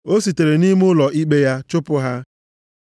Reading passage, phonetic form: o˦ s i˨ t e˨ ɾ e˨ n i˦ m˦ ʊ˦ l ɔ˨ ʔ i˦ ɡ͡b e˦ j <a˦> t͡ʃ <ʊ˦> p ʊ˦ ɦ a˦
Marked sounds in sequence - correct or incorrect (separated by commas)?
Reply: correct, correct